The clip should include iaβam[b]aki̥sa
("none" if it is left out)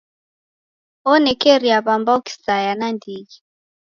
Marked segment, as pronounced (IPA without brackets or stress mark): b